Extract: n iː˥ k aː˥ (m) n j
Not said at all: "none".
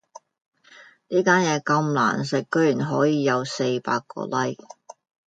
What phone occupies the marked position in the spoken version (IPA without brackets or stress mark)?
none